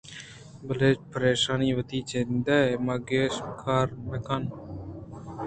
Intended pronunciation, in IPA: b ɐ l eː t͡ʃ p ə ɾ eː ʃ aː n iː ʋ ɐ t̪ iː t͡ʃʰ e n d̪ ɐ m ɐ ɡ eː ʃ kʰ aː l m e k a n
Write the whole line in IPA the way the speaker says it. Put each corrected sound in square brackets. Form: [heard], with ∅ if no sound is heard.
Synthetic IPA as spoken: b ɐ l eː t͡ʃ p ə ɾ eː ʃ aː n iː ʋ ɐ t̪ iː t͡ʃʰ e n d̪ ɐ m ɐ ɡ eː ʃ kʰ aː [ɾ] m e k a n